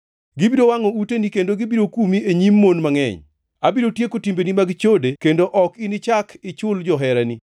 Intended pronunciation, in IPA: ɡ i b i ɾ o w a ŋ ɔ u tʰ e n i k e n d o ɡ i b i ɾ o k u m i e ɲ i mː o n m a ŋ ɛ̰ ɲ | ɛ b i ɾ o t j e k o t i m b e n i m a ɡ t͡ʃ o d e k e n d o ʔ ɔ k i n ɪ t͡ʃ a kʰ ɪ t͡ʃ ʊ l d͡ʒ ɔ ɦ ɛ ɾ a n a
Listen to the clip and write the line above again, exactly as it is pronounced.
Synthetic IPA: ɡ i b i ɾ o w a ŋ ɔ u t e n i k e n d o ɡ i b i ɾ o k u m i e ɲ i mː o n m a ŋ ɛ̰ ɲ | a b i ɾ o t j e k o t i m b e n i m a ɡ t͡ʃ o d e k e n d o ʔ ɔ k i n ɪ t͡ʃ a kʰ ɪ t͡ʃ ʊ l d͡ʒ ɔ ɦ ɛ ɾ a n i